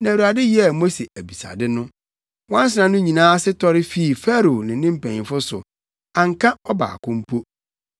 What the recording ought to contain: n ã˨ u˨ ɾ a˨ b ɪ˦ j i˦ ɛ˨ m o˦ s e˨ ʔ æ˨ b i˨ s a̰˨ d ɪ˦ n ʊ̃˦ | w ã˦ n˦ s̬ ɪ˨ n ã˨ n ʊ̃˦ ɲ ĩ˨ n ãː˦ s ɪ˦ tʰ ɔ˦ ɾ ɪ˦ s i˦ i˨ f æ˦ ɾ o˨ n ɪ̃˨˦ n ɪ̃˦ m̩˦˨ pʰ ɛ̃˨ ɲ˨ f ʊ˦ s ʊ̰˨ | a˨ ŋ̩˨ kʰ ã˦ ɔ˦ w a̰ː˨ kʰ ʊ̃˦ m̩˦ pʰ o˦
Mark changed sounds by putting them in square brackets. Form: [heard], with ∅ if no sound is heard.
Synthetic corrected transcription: n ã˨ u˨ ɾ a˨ [d] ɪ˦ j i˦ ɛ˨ m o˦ s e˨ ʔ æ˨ b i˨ s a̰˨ d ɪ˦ n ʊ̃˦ | w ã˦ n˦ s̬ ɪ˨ n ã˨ n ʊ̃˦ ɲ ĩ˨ n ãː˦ s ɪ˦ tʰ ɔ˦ ɾ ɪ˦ [f] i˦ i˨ f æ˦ ɾ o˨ n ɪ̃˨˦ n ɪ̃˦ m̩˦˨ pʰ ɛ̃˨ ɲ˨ f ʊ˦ s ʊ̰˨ | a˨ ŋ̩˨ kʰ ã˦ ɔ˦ [b] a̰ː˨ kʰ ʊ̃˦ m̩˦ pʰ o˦